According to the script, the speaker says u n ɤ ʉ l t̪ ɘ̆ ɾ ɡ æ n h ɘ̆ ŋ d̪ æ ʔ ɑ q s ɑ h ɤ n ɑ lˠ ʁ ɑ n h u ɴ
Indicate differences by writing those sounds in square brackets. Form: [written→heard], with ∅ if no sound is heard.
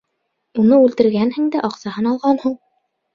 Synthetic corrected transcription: u n ɤ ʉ l t̪ ɘ̆ ɾ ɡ æ n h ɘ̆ ŋ d̪ æ ʔ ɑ q s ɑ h ɤ n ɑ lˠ ʁ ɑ n h u ɴ

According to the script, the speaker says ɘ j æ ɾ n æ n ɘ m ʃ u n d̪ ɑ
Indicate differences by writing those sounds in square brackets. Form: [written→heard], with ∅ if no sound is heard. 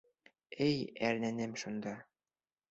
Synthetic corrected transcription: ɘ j æ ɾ n æ n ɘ m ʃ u n d̪ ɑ

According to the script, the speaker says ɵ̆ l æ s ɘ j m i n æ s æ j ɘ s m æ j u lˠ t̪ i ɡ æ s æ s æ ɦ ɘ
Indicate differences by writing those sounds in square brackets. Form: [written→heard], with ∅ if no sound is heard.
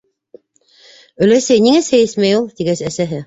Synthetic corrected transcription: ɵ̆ l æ s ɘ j [m→n] i [n→ŋ] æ s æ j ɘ s m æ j u lˠ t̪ i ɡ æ s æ s æ ɦ ɘ

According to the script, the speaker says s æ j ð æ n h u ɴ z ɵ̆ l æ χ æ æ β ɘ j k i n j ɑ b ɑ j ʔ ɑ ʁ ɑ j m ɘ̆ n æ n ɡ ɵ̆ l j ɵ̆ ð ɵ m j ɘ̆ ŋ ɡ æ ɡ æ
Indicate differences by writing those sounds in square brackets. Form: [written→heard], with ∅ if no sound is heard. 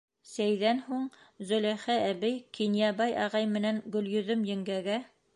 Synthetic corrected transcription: s æ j ð æ n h u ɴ z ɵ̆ l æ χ æ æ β ɘ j k i n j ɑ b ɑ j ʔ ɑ ʁ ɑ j m ɘ̆ n æ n ɡ ɵ̆ l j ɵ̆ ð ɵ m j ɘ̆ ŋ ɡ æ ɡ æ

